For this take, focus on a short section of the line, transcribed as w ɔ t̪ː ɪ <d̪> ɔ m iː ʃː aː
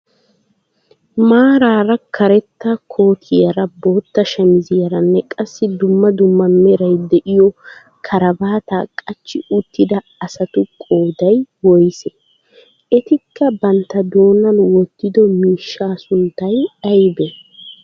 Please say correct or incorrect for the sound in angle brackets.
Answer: correct